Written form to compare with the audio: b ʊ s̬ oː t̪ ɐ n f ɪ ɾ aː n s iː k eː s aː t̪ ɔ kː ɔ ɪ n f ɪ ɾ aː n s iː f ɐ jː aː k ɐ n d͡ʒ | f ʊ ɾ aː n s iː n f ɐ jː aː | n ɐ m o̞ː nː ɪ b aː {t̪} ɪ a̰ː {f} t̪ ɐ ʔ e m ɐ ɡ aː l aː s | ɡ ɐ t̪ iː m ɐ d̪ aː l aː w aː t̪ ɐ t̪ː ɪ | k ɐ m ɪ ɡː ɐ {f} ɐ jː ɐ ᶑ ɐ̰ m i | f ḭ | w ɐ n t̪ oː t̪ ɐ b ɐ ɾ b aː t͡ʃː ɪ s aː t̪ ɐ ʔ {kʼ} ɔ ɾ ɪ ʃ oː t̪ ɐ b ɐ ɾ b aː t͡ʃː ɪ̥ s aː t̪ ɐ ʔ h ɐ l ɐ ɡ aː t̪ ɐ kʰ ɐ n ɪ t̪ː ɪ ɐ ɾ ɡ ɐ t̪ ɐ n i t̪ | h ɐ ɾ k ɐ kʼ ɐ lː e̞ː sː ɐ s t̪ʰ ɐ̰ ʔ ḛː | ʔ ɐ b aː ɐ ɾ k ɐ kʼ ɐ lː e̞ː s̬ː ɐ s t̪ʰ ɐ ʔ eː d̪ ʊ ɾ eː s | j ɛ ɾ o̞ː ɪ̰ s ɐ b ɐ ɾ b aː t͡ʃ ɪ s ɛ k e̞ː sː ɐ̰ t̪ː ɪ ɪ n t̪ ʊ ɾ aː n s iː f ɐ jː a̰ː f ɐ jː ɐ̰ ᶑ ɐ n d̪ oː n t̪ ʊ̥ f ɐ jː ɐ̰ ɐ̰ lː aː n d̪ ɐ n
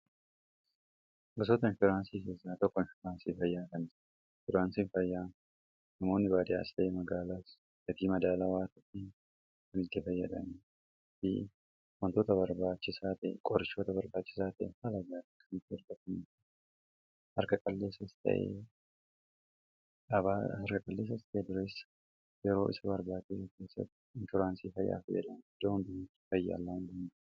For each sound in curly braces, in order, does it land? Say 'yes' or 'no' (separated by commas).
no, no, yes, yes